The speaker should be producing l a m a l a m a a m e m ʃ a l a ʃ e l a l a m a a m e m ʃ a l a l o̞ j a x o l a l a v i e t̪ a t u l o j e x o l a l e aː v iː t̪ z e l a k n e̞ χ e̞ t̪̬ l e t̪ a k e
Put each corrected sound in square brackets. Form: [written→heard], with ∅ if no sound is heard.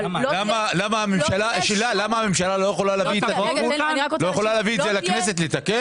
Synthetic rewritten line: l a m a l a m a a m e m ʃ a l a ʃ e l a l a m a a m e m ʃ a l a l o̞ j [a→e] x o l a l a v i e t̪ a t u l o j e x o l a l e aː v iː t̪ z e l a k n e̞ [χ→s] e̞ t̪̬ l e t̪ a k e